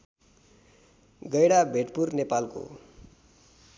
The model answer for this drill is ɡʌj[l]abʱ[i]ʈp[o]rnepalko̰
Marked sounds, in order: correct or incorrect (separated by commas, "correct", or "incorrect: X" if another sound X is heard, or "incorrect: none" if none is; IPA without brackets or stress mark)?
incorrect: ɽ, incorrect: e, incorrect: u